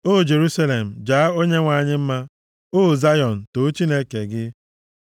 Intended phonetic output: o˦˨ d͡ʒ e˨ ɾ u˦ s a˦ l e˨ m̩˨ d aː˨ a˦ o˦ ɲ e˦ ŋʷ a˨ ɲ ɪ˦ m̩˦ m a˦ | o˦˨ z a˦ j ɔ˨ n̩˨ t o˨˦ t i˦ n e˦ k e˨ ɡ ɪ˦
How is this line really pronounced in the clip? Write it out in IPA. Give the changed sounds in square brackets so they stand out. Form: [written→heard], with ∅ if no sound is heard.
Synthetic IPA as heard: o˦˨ d͡ʒ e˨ ɾ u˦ s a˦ l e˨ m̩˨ [d→d͡ʒ] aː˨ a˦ o˦ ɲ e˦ ŋʷ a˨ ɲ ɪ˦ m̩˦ m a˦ | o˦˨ z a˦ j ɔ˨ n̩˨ t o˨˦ [t→t͡ʃ] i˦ n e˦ k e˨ ɡ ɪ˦